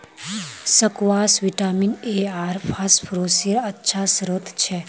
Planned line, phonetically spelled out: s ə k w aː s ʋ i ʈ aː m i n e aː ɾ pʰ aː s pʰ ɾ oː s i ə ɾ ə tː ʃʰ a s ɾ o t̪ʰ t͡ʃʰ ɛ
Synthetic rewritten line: s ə k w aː s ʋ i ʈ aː m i n e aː ɾ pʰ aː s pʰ ɾ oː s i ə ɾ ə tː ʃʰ a s ɾ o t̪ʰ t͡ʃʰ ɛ

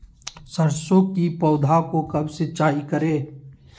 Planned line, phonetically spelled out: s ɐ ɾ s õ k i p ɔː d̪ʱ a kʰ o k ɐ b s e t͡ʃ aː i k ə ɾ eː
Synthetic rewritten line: s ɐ ɾ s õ k i p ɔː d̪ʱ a k o k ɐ b s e t͡ʃ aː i k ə ɾ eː

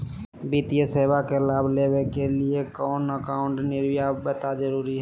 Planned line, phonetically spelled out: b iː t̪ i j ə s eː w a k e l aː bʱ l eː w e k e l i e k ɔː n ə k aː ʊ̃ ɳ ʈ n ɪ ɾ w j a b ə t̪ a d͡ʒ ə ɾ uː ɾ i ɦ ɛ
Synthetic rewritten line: b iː t̪ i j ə s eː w a k e l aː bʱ l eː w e k e l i e k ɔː n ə k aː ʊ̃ ɳ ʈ n ɪ ɾ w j a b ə t̪ a d͡ʒ ə ɾ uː ɾ i ɦ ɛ

